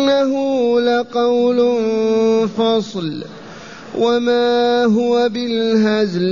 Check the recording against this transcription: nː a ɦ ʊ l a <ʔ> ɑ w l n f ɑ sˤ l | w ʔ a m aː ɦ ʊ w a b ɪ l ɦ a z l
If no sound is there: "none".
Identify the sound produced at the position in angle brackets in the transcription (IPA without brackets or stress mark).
q